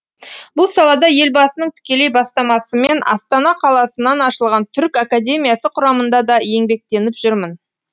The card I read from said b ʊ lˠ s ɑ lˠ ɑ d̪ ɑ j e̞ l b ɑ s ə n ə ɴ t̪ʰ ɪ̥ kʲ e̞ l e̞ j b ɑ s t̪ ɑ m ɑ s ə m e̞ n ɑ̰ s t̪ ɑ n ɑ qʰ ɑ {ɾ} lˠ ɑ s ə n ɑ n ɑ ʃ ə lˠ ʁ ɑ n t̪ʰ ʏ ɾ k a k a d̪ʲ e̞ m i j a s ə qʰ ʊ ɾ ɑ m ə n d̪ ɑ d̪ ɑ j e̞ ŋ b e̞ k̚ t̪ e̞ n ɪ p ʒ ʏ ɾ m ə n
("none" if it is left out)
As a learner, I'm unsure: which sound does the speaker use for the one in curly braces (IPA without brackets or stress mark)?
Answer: none